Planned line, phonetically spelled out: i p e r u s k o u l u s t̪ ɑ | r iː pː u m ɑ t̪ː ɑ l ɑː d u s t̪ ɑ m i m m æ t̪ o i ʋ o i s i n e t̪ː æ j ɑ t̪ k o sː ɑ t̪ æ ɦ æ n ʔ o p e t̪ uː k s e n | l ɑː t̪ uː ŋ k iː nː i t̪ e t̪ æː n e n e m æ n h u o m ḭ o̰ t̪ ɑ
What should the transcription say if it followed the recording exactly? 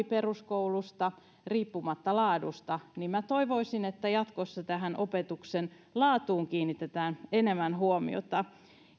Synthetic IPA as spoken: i p e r u s k o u l u s t̪ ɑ | r iː pː u m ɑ t̪ː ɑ l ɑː d u s t̪ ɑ n i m m æ t̪ o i ʋ o i s i n e t̪ː æ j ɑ t̪ k o sː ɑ t̪ æ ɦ æ n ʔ o p e t̪ u k s e n | l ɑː t̪ uː ŋ k iː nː i t̪ e t̪ æː n e n e m æ n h u o m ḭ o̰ t̪ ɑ